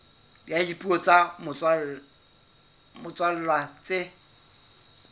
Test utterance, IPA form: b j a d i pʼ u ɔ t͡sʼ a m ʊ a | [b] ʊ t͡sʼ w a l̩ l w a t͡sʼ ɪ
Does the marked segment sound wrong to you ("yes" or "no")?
yes